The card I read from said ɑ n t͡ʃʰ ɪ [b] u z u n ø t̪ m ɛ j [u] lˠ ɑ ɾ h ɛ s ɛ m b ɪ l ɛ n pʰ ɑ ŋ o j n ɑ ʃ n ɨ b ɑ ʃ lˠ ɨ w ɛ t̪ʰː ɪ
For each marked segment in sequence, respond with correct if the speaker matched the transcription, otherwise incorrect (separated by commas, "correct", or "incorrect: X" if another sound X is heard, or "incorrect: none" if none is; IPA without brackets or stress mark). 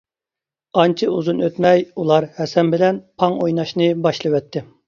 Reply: incorrect: none, correct